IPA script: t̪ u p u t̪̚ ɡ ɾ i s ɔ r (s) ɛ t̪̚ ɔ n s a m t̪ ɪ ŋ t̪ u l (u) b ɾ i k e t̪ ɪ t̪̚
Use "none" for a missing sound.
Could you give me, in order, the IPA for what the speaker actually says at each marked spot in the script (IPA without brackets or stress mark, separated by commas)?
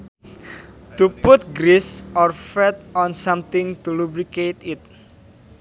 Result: f, u